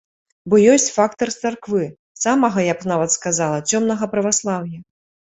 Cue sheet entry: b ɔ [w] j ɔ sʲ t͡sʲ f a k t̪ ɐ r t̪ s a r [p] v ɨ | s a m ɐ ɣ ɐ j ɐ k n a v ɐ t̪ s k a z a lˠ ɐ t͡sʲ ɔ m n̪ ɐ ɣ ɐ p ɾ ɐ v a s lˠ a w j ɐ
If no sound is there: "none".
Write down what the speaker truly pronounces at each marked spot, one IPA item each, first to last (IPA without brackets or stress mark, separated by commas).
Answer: none, k